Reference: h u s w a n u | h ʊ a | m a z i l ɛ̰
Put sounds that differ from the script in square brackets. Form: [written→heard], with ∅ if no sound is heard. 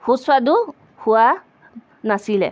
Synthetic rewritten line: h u s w a [n→d] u | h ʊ a | [m→n] a [z→s] i l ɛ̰